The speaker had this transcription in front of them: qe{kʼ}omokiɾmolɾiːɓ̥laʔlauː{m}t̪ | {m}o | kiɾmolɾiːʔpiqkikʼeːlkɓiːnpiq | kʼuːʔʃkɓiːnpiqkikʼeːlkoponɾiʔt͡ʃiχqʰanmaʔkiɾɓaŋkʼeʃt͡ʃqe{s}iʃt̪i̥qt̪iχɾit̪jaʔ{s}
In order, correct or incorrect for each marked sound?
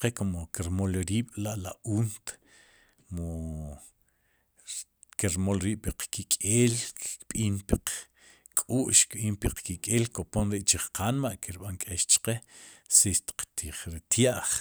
incorrect: k, incorrect: n, correct, correct, incorrect: χ

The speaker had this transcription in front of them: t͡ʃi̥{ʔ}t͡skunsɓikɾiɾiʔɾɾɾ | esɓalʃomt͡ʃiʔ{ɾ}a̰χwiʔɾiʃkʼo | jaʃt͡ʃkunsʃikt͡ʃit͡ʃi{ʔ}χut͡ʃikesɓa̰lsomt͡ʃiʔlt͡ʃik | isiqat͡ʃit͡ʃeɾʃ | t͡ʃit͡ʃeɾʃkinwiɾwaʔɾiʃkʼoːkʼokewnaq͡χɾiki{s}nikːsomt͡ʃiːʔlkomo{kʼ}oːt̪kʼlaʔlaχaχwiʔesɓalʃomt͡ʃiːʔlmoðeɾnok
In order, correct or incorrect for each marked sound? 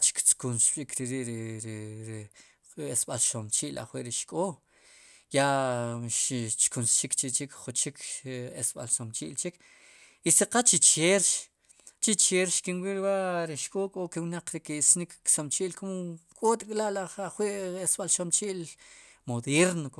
incorrect: k, incorrect: l, incorrect: k, correct, correct

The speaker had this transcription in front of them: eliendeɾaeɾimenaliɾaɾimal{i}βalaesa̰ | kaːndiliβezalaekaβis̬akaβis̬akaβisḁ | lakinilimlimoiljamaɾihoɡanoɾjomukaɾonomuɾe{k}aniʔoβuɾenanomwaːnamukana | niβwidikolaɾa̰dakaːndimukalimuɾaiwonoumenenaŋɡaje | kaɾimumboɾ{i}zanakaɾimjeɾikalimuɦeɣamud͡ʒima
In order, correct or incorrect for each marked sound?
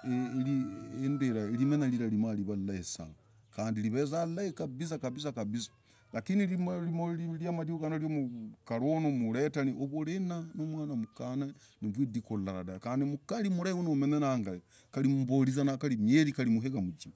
correct, incorrect: t, correct

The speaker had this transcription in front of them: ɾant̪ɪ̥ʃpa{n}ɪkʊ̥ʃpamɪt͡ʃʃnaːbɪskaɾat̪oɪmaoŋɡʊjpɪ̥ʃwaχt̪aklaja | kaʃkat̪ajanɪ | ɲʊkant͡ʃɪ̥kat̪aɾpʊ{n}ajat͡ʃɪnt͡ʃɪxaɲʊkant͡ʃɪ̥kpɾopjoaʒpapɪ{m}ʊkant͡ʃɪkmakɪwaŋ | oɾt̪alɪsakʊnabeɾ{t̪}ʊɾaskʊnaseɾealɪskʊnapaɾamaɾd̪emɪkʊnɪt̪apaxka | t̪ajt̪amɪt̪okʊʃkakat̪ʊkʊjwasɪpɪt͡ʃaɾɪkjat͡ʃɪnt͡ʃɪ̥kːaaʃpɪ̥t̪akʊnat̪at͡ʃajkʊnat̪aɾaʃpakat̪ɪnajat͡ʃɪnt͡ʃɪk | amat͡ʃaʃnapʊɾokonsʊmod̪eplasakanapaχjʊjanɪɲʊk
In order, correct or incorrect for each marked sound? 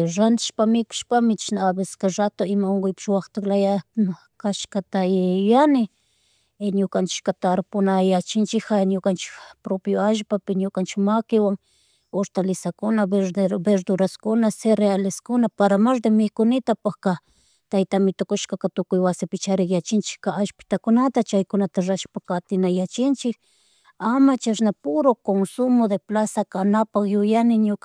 incorrect: m, correct, incorrect: ɲ, incorrect: d̪

